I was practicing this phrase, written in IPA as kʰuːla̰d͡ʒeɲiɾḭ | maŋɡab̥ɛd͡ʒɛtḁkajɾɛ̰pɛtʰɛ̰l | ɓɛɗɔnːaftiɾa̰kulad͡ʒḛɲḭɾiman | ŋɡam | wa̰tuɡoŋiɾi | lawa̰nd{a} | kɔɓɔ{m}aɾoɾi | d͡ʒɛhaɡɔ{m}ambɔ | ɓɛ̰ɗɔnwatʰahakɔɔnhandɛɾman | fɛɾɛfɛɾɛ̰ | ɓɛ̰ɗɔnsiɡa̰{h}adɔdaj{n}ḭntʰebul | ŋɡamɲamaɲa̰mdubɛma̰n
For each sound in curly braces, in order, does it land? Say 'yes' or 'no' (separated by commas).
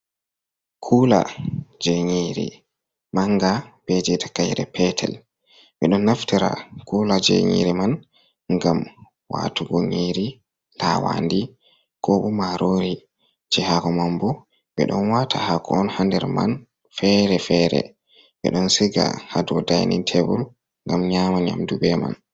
no, yes, yes, yes, yes